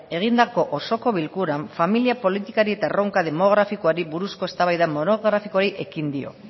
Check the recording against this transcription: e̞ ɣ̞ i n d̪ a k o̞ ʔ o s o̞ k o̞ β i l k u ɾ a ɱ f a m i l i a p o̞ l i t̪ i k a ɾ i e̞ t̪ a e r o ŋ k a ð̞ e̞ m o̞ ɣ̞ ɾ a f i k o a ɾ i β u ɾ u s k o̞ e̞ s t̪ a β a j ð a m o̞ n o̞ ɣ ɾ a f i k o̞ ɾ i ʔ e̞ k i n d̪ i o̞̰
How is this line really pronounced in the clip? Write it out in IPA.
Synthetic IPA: e̞ ɣ̞ i n d̪ a k o̞ ʔ o s o̞ k o̞ β i l k u ɾ a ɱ f a m i l i a p o̞ l i t̪ i k a ɾ i e̞ t̪ a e r o ŋ k a ð̞ e̞ m o̞ ɣ̞ ɾ a f i k o a ɾ i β u ɾ u s k o̞ e̞ s t̪ a β a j ð a m o̞ n o̞ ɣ ɾ a f i k o̞ ɾ i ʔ e̞ k i n d̪ i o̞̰